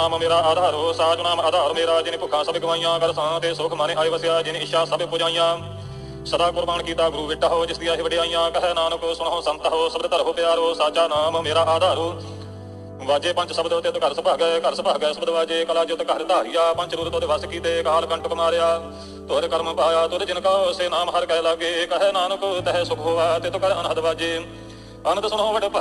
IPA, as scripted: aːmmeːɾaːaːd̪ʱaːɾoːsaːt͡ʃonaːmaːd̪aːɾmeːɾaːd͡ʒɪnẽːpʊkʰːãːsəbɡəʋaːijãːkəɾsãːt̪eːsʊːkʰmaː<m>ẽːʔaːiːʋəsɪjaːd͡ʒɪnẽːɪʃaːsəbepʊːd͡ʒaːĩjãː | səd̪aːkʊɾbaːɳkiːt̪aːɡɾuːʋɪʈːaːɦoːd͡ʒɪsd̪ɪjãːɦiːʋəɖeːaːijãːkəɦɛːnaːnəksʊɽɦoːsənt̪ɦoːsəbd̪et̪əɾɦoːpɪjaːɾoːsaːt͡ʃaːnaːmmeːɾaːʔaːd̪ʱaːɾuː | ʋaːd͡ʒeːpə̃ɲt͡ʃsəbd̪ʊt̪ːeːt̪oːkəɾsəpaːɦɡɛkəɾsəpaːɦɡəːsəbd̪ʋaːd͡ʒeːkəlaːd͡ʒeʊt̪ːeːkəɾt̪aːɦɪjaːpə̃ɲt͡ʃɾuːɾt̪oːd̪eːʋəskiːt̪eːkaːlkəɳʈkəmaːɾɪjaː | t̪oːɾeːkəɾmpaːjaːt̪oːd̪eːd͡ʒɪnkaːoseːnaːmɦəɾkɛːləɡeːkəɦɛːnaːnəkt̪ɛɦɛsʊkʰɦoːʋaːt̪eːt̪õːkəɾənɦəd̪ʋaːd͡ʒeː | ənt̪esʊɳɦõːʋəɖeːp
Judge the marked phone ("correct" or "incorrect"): incorrect